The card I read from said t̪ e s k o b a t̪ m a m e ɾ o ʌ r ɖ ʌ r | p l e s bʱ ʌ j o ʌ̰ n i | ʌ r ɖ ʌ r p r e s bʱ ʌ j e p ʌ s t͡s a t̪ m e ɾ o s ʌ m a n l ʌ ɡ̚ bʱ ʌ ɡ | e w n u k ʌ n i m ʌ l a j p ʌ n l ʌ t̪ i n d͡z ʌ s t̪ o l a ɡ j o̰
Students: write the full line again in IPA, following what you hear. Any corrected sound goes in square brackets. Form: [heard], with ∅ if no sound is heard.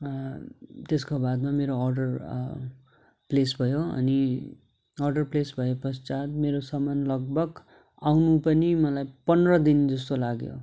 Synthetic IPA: t̪ e s k o b a [d̪] m a m e ɾ o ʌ r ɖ ʌ r | p l e s bʱ ʌ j o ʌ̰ n i | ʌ r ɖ ʌ r p [l] e s bʱ ʌ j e p ʌ s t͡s a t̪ m e ɾ o s ʌ m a n l ʌ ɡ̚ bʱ ʌ ɡ | [a] w n u [p] ʌ n i m ʌ l a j p ʌ n [r] ʌ [d̪] i n d͡z ʌ s t̪ o l a ɡ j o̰